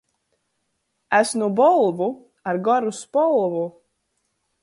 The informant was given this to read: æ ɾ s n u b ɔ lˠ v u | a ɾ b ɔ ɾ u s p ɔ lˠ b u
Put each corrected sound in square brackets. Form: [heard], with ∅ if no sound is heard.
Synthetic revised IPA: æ [∅] s n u b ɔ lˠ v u | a ɾ [ɡ] ɔ ɾ u s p ɔ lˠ [v] u